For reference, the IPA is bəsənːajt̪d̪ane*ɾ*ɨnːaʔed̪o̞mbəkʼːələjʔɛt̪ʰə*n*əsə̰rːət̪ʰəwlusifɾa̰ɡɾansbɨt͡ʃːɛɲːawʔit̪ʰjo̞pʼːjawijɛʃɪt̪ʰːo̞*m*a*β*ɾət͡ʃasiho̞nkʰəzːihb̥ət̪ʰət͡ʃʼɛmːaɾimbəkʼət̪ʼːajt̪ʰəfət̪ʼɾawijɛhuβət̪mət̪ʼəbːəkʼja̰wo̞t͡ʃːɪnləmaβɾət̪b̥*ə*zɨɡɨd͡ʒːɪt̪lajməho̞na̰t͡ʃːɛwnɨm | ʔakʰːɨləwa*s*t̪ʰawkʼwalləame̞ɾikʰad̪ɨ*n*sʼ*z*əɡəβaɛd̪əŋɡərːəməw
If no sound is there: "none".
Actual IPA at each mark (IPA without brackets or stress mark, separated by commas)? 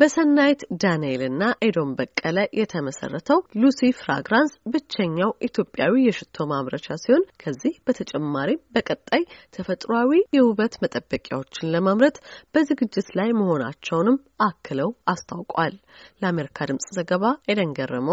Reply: l, m, m, β, ə, s, m, z